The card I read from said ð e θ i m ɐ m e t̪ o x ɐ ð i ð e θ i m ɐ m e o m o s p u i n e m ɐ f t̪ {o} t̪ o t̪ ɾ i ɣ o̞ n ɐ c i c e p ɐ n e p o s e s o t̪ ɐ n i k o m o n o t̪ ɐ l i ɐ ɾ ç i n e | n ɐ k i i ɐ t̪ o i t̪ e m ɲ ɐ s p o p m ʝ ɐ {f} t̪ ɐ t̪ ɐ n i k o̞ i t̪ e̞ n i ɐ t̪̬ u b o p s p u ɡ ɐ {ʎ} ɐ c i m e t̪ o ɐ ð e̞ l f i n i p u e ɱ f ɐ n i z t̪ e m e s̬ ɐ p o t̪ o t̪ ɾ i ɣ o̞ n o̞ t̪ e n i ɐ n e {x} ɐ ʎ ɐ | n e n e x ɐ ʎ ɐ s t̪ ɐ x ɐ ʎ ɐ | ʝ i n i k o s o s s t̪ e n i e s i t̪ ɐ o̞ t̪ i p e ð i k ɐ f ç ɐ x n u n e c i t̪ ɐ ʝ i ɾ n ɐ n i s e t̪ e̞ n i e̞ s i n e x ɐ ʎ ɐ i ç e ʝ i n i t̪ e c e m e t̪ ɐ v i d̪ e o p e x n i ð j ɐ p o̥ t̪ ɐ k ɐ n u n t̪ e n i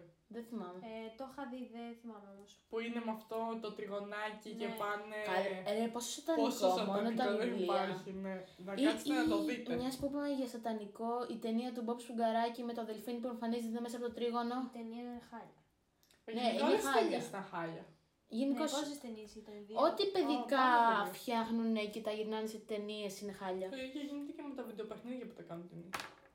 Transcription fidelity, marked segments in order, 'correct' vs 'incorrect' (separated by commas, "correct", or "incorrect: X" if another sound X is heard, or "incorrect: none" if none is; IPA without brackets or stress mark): correct, incorrect: s, incorrect: ɾ, correct